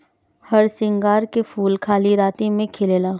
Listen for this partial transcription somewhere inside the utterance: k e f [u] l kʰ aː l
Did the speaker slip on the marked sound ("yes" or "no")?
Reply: yes